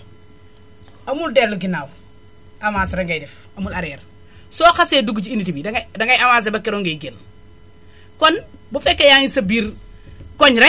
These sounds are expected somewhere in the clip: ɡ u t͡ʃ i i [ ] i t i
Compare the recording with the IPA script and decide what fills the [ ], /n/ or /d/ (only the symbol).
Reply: n